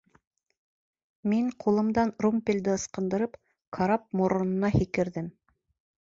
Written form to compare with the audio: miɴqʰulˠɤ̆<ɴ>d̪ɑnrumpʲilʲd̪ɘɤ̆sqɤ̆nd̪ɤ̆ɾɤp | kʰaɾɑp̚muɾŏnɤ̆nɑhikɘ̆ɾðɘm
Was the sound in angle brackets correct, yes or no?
no